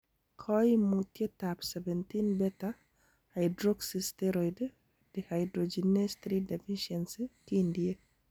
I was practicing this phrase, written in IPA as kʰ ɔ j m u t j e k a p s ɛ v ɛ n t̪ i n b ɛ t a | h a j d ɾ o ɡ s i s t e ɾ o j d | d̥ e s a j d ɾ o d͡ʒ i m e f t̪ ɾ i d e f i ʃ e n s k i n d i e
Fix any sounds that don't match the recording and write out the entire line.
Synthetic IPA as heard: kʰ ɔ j m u t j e t a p s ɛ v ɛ n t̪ i n b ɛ t a | h a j d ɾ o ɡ s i s t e ɾ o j d | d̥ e h a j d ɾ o d͡ʒ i n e s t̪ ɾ i d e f i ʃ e n s k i n d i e